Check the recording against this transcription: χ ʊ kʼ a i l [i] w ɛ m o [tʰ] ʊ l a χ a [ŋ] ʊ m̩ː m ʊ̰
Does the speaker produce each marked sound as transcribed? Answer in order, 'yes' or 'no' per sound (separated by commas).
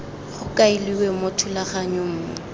yes, yes, no